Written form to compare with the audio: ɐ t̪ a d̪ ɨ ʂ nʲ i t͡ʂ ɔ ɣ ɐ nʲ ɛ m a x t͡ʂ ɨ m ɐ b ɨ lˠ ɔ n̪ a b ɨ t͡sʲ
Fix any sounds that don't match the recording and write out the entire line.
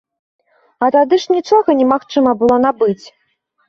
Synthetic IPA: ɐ t̪ a d̪ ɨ ʂ nʲ i t͡ʂ ɔ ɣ ɐ nʲ ɛ m a x t͡ʂ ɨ m ɐ b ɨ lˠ ɔ n̪ a b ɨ t͡sʲ